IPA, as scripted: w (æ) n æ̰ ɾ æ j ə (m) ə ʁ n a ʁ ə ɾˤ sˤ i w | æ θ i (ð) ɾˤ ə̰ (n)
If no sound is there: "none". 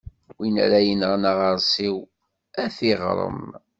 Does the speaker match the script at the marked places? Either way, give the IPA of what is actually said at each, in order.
i, n, ʁ, m

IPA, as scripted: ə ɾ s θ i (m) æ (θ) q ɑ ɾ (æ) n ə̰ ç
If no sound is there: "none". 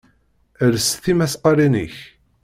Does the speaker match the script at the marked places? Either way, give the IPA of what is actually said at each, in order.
m, s, i

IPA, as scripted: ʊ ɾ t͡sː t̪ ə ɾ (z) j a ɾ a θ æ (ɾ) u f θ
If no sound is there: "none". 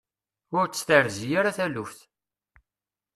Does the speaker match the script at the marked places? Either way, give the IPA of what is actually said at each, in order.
z, l

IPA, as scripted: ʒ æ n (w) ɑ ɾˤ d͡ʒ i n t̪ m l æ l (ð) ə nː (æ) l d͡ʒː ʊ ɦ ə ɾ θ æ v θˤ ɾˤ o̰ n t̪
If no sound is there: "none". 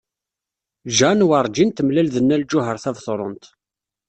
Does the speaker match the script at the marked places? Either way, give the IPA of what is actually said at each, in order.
w, ð, æ

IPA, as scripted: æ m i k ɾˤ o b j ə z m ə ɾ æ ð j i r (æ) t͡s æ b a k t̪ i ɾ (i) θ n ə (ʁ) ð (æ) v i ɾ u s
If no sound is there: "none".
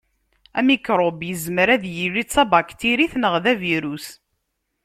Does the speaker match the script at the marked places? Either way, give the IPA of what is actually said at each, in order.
i, i, ʁ, æ

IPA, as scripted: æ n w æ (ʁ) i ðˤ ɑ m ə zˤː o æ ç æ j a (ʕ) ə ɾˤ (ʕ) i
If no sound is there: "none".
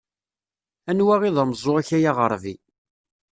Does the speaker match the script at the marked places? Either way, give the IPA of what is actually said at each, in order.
ʁ, ʁ, v

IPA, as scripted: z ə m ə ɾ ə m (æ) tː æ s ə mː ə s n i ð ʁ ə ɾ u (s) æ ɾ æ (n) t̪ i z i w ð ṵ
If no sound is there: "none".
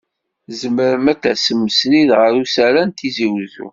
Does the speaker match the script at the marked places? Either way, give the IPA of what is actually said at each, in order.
æ, s, n

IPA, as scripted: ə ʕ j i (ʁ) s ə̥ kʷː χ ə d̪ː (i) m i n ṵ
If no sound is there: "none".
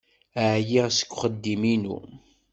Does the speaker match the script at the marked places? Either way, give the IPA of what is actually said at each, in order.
ʁ, i

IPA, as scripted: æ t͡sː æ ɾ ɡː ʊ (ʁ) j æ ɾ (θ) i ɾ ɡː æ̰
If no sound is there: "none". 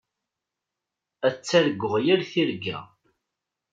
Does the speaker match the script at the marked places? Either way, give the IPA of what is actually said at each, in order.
ʁ, θ

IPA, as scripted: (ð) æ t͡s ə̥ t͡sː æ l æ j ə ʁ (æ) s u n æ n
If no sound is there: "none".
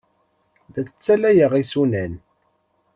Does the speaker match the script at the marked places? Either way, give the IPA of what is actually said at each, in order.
ð, i

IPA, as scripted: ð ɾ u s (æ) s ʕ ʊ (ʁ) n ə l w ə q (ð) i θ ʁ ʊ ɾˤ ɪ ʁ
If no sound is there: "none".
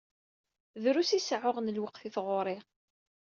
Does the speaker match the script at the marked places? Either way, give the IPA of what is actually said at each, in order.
i, ʁ, θ

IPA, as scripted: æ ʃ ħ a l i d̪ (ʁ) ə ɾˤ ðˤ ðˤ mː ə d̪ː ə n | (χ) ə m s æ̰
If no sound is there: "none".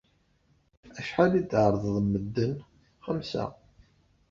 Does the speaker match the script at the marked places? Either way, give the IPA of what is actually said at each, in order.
ʕ, χ

